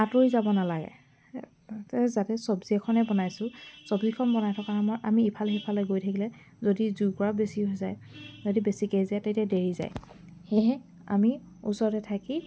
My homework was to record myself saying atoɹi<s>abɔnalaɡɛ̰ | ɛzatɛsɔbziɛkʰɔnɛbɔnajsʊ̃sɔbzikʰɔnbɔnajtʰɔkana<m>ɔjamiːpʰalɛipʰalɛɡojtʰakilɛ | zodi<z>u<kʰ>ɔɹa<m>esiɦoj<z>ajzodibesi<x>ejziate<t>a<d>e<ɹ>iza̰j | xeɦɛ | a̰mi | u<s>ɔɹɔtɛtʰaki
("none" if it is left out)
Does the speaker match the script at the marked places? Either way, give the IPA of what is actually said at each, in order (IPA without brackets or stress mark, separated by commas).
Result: z, m, z, k, b, z, k, t, d, ɹ, s